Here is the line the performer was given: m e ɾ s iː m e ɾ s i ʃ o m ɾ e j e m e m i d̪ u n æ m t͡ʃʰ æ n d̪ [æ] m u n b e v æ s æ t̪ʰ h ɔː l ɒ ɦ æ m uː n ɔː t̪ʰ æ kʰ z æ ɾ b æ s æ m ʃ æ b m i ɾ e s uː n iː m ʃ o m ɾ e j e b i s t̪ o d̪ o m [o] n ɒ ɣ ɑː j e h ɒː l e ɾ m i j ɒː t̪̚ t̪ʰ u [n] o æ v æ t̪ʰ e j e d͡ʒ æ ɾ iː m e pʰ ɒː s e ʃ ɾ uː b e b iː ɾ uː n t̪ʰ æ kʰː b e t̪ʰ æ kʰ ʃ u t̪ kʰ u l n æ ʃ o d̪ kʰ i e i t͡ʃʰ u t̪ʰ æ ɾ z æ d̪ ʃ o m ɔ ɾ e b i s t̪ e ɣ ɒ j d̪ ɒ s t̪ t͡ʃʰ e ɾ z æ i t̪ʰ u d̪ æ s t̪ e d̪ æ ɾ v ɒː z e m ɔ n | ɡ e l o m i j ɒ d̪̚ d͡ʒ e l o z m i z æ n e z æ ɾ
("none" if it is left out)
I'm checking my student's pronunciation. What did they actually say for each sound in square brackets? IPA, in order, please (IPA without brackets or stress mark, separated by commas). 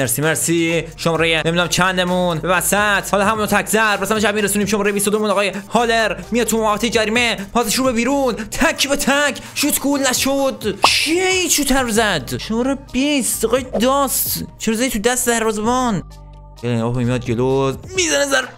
e, u, m